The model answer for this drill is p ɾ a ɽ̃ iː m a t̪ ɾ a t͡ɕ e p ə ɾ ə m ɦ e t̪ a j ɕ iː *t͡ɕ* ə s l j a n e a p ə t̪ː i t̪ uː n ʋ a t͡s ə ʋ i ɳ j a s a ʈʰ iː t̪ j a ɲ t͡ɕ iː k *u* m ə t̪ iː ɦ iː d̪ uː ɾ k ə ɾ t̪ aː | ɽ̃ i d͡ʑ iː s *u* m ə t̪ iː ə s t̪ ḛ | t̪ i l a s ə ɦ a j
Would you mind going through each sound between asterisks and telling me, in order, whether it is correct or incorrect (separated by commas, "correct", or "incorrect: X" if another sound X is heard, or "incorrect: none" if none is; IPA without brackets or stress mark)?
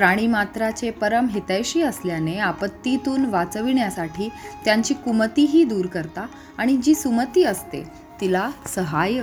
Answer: incorrect: none, correct, correct